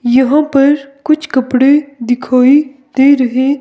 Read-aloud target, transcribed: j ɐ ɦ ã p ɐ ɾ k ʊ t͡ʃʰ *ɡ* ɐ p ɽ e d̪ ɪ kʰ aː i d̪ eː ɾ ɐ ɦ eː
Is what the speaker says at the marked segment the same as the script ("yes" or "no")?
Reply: no